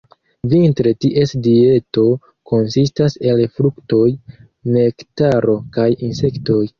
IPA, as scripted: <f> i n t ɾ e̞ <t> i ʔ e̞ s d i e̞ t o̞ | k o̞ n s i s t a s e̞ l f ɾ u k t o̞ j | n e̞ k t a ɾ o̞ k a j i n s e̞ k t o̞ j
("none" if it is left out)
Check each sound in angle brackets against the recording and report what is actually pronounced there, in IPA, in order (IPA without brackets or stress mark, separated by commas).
v, t